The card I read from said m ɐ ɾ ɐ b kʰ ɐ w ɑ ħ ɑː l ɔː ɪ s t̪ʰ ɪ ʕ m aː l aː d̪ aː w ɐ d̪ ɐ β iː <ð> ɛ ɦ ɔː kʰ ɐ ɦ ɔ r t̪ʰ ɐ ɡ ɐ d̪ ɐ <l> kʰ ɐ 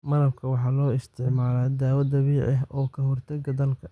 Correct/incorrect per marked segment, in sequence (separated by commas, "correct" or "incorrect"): incorrect, correct